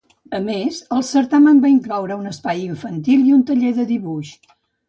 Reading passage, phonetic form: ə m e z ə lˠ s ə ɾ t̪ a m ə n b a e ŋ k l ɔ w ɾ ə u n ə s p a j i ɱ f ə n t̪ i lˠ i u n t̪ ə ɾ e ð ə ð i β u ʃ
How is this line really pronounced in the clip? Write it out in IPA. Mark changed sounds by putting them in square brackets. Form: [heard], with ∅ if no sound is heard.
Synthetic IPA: ə m e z ə lˠ s ə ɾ t̪ a m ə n b a [i] ŋ k l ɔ w ɾ ə u n ə s p a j i ɱ f ə n t̪ i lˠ i u n t̪ ə [ʎ] e ð ə ð i β u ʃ